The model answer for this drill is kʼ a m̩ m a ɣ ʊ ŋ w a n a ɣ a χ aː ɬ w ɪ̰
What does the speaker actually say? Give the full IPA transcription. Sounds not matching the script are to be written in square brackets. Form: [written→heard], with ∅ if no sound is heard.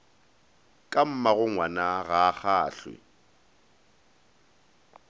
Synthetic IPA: kʼ a m̩ m a ɣ ʊ ŋ w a n a ɣ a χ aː ɬ w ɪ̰